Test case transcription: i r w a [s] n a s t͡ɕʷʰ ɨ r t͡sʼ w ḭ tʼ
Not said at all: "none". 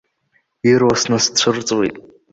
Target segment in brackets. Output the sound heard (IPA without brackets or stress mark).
s